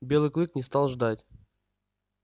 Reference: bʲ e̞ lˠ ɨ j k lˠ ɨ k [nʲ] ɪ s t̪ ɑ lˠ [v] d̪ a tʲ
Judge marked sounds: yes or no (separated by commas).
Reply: yes, no